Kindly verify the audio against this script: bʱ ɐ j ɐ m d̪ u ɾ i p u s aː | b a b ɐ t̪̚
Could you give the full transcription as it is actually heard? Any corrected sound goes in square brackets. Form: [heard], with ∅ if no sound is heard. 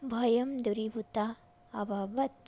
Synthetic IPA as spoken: bʱ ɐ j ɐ m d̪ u ɾ i [b] u [t] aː | b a b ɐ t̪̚